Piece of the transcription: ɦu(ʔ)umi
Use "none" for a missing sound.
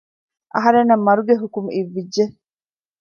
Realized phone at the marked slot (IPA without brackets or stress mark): k